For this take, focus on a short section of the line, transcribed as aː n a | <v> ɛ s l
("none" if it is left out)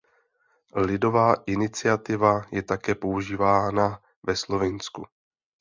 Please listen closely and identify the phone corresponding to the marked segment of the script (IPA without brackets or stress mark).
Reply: v